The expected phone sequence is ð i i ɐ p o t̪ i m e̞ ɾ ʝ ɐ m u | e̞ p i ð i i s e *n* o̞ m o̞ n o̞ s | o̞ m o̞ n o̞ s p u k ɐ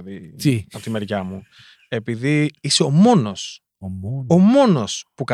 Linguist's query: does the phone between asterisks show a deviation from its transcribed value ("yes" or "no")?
yes